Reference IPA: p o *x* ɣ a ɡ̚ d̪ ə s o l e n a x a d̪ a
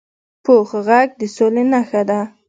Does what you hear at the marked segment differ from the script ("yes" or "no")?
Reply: no